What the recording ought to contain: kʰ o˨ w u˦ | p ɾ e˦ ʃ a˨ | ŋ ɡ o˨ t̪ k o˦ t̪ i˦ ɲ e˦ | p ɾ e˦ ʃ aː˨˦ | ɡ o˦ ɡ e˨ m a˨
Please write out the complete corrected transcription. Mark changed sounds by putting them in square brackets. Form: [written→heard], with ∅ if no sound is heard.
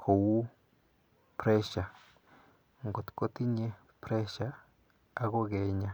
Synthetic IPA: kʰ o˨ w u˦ | p ɾ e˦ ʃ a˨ | ŋ ɡ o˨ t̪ k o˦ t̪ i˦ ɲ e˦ | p ɾ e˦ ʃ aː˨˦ | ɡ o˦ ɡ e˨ [m→ɲ] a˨

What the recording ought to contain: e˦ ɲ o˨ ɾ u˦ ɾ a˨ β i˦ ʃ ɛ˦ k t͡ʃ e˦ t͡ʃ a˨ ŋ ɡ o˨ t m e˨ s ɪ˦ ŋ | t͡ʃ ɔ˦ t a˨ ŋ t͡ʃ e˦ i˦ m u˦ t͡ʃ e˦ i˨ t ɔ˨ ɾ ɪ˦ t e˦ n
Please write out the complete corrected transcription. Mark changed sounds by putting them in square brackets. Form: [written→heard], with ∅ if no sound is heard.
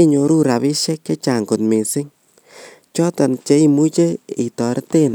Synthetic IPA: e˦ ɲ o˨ ɾ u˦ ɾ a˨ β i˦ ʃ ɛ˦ k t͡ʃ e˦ t͡ʃ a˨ ŋ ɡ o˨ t m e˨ s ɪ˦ ŋ | t͡ʃ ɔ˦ t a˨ [ŋ→n] t͡ʃ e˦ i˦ m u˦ t͡ʃ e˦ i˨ t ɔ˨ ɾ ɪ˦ t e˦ n

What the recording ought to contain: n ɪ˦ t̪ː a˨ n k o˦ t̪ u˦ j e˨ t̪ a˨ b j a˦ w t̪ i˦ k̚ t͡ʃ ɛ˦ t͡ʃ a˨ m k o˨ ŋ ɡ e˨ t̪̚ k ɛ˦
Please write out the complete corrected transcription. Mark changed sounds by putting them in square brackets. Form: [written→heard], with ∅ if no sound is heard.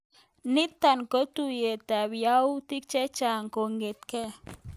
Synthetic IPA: n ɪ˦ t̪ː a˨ n k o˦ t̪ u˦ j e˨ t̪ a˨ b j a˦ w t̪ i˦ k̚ t͡ʃ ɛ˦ t͡ʃ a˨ [m→ŋ] k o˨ ŋ ɡ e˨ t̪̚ k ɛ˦

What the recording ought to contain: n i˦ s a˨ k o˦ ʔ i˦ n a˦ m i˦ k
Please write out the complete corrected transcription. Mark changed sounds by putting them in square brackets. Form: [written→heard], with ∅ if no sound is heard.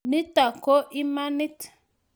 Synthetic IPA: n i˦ [s→t] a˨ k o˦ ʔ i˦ [n→m] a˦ [m→n] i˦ [k→t]

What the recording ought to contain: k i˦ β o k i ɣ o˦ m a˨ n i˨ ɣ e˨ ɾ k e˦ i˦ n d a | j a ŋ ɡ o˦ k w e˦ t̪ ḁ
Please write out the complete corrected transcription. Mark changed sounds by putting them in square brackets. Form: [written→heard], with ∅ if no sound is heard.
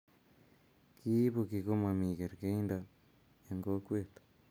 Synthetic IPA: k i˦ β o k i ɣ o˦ m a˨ [n→m] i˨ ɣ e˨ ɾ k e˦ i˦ n d a | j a ŋ ɡ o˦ k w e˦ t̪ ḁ

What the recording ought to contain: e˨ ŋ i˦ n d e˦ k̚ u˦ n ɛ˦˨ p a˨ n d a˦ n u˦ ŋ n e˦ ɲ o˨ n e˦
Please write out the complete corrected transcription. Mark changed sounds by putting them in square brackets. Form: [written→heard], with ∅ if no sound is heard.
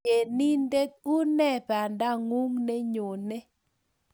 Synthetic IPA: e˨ [ŋ→n] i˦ n d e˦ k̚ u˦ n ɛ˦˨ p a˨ n d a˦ [n→ŋ] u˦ ŋ n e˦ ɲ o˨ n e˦

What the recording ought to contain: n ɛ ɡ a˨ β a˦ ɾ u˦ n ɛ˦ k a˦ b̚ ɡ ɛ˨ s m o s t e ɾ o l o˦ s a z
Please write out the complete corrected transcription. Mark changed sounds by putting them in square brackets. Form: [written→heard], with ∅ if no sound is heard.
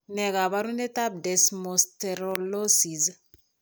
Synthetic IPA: n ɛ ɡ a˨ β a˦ ɾ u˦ n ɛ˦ [k→t] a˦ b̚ [ɡ→d] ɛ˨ s m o s t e ɾ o l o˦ s [a→i] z

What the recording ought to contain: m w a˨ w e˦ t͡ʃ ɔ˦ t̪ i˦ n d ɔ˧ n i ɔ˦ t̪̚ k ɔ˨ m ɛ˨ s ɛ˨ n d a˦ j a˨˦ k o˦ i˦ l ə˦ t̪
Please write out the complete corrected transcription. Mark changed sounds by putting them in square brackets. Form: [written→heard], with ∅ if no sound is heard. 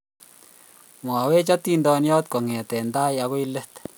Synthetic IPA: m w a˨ w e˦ t͡ʃ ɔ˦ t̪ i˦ n d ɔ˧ n [i→j] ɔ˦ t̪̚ k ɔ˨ [m→ŋ] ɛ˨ [s→t] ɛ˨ n d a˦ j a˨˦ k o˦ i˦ l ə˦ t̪

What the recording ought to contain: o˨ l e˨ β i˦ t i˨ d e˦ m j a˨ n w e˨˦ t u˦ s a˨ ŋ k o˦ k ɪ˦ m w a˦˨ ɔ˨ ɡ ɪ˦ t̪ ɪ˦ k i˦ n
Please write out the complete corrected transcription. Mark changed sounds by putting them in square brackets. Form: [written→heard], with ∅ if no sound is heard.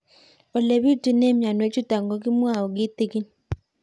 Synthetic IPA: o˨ l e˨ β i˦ t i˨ [d→n] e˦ m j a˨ n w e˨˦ [t→t͡ʃ] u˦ [s→t] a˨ ŋ [k→ɡ] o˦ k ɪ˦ m w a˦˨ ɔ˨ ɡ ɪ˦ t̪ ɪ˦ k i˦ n

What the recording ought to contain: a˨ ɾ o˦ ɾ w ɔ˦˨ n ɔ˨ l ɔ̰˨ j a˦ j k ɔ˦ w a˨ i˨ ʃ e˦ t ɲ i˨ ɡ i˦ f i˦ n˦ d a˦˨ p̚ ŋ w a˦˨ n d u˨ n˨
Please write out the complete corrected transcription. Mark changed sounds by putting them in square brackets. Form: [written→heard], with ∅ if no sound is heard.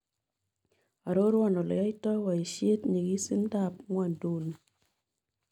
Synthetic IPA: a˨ ɾ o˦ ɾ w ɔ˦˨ n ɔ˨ l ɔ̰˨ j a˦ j [k→t] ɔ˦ w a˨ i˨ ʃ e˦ t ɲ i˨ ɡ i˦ [f→s] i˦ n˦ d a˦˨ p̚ ŋ w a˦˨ n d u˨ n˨

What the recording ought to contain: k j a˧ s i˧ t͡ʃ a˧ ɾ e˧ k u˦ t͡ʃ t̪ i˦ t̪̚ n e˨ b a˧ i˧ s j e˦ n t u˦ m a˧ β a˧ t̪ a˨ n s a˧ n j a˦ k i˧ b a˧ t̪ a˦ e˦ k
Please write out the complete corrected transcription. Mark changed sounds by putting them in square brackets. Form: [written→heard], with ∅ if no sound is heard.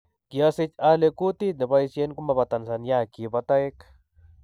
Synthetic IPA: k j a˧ s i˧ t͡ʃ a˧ [ɾ→l] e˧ k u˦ [t͡ʃ→∅] t̪ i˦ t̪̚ n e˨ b a˧ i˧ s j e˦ n [t→k] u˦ m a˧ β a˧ t̪ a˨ n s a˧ n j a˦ k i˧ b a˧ t̪ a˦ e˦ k

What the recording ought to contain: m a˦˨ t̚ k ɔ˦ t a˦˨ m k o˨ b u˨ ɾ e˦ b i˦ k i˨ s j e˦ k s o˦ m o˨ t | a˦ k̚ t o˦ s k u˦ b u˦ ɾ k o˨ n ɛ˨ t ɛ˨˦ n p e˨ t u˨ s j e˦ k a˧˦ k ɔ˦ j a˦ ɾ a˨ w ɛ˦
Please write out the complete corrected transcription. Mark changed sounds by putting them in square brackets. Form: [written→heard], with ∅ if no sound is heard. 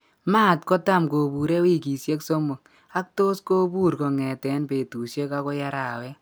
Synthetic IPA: m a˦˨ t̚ k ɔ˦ t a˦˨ m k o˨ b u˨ ɾ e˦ [b→w] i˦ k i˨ s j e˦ k s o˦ m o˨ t | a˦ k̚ t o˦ s k [u˦→o˦] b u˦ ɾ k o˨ [n→ŋ] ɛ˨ t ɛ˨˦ n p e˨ t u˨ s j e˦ k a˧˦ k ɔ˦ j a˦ ɾ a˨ w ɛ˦

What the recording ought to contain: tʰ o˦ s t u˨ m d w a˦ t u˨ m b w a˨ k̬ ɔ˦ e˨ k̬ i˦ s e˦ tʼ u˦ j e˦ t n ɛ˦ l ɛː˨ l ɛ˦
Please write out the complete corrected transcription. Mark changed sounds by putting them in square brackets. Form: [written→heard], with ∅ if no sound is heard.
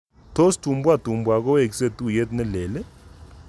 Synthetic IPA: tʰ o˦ s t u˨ m [d→b] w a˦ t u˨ m b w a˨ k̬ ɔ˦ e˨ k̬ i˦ s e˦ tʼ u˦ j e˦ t n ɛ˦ l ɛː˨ l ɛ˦

